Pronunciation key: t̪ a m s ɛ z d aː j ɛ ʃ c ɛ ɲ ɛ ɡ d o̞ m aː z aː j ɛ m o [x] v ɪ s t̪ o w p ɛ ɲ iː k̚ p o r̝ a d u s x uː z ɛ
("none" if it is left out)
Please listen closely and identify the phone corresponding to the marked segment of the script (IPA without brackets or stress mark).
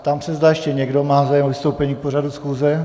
none